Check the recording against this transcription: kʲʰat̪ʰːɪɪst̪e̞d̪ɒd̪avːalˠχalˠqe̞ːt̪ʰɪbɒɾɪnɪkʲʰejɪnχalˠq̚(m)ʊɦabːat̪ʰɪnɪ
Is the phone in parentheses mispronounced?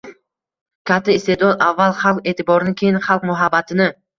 no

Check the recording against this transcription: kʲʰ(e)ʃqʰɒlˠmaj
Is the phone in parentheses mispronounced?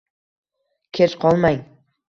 no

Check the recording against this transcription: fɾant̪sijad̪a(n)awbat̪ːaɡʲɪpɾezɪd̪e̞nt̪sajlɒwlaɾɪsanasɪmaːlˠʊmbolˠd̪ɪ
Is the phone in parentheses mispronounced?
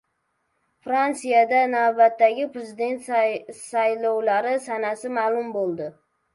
no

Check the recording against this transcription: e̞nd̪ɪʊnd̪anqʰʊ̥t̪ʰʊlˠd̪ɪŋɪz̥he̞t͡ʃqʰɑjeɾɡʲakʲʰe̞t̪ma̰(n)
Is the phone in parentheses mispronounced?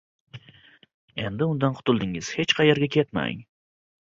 yes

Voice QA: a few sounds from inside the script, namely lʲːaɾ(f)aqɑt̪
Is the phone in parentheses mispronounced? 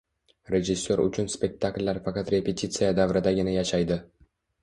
no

